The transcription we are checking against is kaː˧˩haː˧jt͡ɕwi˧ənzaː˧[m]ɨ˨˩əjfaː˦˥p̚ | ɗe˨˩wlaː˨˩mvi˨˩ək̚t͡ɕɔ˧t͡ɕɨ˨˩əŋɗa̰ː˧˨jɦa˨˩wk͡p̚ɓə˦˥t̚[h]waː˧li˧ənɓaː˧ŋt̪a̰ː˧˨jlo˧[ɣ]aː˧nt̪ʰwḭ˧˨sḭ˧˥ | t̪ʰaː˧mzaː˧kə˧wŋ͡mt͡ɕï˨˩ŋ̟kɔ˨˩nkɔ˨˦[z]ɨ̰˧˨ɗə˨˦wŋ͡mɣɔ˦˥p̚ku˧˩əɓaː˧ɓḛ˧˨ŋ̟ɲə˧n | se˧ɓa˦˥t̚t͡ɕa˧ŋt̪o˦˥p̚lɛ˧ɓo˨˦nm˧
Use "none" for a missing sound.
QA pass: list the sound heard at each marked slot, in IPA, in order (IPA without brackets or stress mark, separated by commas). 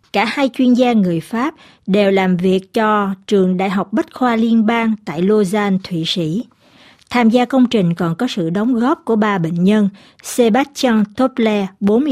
ŋ, x, z, s